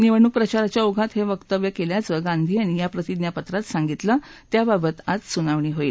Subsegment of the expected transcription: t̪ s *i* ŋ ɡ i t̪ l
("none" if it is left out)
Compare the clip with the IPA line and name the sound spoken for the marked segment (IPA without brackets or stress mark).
a